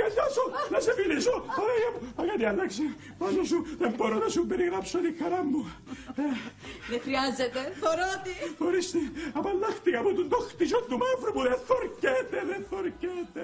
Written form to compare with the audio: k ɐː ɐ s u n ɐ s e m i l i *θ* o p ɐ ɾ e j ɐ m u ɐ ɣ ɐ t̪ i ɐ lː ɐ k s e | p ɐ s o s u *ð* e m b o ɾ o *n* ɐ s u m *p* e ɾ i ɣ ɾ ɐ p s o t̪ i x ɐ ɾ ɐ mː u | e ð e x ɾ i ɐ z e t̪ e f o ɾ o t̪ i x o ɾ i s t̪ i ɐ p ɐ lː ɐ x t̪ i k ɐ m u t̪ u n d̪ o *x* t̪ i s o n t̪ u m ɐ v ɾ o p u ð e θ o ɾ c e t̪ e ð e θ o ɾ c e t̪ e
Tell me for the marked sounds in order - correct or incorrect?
incorrect: s, correct, correct, incorrect: b, correct

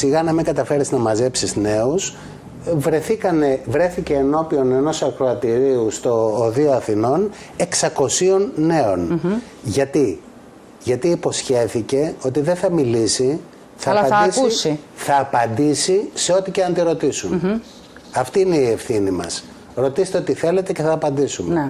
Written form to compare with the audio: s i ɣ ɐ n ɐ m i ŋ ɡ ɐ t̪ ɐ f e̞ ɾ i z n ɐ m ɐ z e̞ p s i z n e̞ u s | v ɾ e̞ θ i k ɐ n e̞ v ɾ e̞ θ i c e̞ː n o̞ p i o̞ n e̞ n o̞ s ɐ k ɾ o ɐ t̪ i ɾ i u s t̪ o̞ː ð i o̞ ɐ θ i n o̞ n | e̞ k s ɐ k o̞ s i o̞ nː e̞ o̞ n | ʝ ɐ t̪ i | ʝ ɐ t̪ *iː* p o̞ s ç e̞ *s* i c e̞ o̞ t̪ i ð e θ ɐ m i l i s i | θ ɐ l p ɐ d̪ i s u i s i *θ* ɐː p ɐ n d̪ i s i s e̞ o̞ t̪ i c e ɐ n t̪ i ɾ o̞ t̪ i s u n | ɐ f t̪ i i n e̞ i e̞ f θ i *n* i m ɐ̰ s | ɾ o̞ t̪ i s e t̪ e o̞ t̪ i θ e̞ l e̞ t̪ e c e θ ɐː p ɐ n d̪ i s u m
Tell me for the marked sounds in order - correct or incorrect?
correct, incorrect: θ, correct, correct

